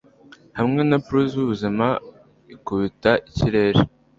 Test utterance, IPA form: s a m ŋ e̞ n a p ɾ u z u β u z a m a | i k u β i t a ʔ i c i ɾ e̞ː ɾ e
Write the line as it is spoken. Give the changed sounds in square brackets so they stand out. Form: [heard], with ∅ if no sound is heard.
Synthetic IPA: [h] a m ŋ e̞ n a p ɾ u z u β u z [i] m a | i k u β i t a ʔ i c i ɾ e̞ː ɾ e